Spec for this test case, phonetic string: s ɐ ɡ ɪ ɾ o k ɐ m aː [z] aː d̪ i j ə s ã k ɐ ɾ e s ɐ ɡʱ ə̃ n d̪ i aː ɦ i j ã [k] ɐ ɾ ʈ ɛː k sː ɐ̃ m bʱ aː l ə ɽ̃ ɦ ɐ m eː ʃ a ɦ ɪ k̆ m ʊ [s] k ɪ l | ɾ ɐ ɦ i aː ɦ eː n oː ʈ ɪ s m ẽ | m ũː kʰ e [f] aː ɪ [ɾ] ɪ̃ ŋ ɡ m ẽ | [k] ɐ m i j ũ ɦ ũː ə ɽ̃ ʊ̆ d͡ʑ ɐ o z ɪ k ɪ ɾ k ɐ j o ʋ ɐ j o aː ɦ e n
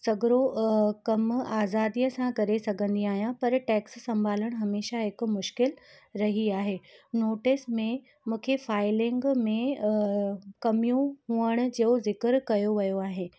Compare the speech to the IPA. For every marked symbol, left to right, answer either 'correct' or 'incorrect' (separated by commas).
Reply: correct, incorrect, incorrect, correct, incorrect, correct